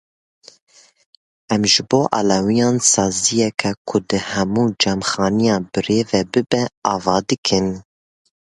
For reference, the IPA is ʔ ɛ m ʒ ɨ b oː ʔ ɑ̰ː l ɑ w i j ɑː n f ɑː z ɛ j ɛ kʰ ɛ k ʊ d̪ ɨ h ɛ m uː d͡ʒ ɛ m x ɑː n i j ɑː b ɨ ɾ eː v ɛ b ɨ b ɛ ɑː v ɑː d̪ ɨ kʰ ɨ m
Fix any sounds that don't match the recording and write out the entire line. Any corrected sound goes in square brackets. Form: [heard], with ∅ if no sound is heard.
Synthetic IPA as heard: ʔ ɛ m ʒ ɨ b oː ʔ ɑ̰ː l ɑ w i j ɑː n [s] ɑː z [i] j ɛ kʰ ɛ [kʰ] ʊ d̪ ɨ h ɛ m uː d͡ʒ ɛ m x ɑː n i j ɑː b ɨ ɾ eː v ɛ b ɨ b ɛ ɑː v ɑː d̪ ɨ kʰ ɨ [n]